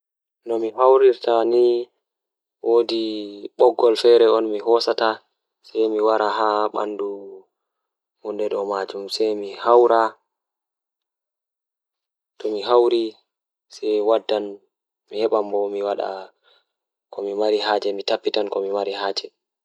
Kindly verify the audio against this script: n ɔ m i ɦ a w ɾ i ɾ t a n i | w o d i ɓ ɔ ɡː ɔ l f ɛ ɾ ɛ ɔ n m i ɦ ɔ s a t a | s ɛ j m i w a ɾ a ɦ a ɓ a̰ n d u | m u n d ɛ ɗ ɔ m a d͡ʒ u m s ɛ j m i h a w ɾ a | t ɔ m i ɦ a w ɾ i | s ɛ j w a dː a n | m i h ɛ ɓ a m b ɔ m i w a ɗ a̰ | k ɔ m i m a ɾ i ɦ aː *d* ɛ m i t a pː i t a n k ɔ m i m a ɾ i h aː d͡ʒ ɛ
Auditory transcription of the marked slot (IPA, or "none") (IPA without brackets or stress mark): d͡ʒ